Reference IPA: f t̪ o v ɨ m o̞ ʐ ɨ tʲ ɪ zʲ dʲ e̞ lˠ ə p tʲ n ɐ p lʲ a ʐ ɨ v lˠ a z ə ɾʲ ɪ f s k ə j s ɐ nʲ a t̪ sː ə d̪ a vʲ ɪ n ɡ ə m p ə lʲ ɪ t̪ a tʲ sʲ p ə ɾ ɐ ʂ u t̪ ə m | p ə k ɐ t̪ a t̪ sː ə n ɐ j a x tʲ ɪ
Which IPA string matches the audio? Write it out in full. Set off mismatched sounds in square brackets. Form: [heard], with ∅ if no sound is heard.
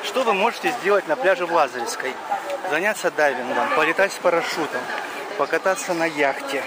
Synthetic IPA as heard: [ʂ] t̪ o v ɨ m o̞ ʐ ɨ tʲ ɪ zʲ dʲ e̞ lˠ ə [∅] tʲ n ɐ p lʲ a ʐ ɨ v lˠ a z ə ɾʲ ɪ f s k ə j [z] ɐ nʲ a t̪ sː ə d̪ a vʲ ɪ n ɡ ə m p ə lʲ ɪ t̪ a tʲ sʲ p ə ɾ ɐ ʂ u t̪ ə m | p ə k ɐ t̪ a t̪ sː ə n ɐ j a x tʲ ɪ